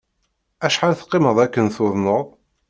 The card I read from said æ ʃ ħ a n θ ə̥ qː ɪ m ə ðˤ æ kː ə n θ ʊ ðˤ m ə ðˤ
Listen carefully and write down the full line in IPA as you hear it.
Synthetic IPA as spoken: æ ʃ ħ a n θ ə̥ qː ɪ m ə ðˤ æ kː ə n θ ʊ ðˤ n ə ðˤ